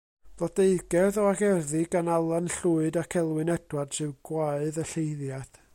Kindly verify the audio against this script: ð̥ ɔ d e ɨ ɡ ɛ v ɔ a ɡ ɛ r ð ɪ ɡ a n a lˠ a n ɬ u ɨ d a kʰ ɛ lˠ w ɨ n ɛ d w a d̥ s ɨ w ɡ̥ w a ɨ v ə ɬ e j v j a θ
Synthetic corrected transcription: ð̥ ɔ d e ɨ ɡ ɛ ð ɔ a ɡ ɛ r ð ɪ ɡ a n a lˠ a n ɬ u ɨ d a kʰ ɛ lˠ w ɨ n ɛ d w a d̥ s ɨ w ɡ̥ w a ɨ ð ə ɬ e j ð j a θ

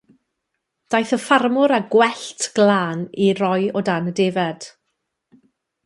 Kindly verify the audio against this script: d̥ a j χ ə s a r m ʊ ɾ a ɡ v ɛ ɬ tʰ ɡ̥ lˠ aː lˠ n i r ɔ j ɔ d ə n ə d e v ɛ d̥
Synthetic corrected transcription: d̥ a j θ ə f a r m ʊ ɾ a ɡ w ɛ ɬ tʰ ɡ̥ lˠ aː n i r ɔ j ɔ d a n ə d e v ɛ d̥

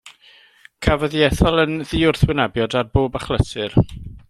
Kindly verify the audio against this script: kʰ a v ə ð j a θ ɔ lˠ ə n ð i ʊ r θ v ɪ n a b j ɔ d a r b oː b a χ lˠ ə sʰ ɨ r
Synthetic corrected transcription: kʰ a v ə ð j ɛ θ ɔ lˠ ə n ð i ʊ r θ w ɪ n a b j ɔ d a r b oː b a χ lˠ ə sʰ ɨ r

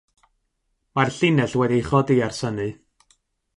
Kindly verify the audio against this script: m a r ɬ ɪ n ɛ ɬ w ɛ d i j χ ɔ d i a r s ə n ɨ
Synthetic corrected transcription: m a r ɬ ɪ n ɛ ɬ w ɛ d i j χ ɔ d i a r s ə n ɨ

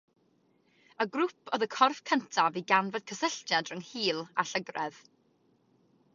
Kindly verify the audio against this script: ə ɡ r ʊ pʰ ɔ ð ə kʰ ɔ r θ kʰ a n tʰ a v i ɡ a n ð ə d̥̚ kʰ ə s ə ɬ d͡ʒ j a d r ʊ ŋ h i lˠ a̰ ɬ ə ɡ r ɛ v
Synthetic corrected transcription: ə ɡ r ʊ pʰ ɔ ð ə kʰ ɔ r f kʰ ə n tʰ a v i ɡ a n v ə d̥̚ kʰ ə s ə ɬ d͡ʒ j a d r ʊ ŋ h iː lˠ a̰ ɬ ə ɡ r ɛ ð

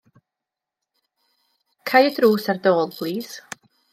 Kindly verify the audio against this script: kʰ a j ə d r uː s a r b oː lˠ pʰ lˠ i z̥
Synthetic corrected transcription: kʰ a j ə d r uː s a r d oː lˠ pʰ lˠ iː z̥

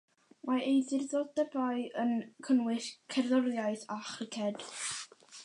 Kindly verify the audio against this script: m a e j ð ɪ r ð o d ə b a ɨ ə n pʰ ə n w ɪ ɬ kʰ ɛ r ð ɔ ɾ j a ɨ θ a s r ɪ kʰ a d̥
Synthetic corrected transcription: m a e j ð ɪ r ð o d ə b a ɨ ə n kʰ ə n w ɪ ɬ kʰ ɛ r ð ɔ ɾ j a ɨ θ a χ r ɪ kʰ ɛ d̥

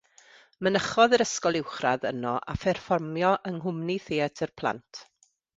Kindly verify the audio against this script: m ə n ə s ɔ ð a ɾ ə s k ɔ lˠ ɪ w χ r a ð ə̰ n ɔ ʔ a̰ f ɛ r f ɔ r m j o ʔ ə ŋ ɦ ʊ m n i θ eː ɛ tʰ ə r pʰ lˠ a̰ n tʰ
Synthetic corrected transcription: m ə n ə χ ɔ ð ə ɾ ə s k ɔ lˠ ɪ w χ r a ð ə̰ n ɔ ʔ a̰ f ɛ r f ɔ r m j ɔ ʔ ə ŋ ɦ ʊ m n i θ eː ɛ tʰ ə r pʰ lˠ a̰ n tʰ

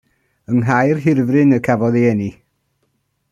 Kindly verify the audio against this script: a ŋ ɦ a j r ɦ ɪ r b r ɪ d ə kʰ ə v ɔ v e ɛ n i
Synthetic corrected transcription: ə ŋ ɦ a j r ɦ ɪ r v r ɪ n ə kʰ a v ɔ ð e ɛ n i

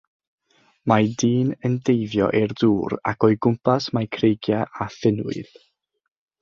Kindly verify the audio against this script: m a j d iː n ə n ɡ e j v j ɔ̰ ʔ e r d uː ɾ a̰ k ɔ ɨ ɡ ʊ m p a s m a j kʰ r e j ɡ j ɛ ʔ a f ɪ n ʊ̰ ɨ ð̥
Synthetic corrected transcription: m a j d iː n ə n d e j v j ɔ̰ ʔ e r d uː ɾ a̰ k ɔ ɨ ɡ ʊ m p a s m a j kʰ r e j ɡ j a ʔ a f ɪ n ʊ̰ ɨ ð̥

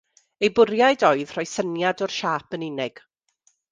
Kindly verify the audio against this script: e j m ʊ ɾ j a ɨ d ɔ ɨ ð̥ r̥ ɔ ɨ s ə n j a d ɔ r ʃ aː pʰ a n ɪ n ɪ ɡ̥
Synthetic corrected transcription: e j b ʊ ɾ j a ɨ d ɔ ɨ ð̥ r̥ ɔ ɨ s ə n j a d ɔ r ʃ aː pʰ ə n ɪ n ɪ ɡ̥

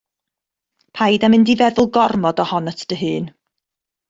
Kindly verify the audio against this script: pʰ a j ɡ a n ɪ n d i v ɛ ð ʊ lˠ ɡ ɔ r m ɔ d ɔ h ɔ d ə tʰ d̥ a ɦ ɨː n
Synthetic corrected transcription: pʰ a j d a m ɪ n d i v ɛ ð ʊ lˠ ɡ ɔ r m ɔ d ɔ h ɔ n ə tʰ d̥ ə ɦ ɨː n

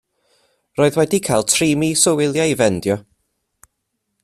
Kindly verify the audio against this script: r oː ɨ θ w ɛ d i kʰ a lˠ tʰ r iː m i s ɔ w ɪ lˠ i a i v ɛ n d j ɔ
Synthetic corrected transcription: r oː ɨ ð w ɛ d i kʰ a lˠ tʰ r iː m i s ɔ w ɪ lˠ j a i v ɛ n d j ɔ

